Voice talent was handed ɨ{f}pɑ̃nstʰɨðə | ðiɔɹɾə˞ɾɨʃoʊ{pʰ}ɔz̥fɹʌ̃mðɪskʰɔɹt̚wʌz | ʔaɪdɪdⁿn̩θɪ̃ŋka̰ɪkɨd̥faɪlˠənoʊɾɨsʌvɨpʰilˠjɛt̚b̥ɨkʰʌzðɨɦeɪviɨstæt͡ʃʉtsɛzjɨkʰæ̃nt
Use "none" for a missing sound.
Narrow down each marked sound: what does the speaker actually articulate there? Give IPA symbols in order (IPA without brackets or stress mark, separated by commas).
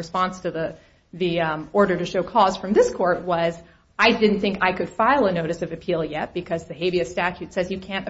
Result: s, kʰ